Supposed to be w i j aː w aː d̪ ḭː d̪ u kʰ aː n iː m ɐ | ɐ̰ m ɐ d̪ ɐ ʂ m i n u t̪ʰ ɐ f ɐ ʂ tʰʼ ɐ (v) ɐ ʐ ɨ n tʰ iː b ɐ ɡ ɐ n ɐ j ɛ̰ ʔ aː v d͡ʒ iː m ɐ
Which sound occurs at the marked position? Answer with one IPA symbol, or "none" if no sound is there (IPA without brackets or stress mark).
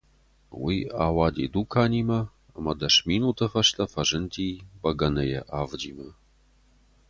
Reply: f